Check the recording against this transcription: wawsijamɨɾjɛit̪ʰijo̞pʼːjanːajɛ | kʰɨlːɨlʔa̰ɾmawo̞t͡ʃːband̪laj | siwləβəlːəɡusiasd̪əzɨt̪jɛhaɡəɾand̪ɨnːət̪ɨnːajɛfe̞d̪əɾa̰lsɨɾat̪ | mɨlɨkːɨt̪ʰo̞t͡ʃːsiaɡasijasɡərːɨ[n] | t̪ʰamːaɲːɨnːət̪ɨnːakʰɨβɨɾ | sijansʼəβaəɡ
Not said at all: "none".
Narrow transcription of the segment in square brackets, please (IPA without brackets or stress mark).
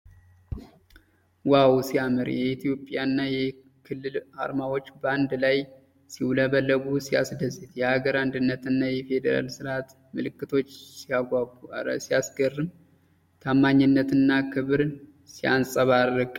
m